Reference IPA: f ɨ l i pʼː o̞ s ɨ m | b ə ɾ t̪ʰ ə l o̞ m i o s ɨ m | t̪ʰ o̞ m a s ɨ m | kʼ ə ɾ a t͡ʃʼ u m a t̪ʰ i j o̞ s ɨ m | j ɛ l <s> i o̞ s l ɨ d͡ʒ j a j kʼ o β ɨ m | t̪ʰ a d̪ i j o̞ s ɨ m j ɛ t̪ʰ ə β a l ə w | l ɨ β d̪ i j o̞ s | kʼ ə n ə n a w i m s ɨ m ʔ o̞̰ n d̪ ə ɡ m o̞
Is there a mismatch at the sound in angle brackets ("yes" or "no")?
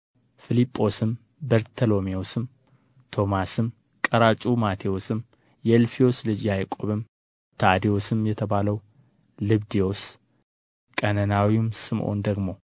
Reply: yes